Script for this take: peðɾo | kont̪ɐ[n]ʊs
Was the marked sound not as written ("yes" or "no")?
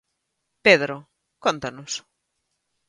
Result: no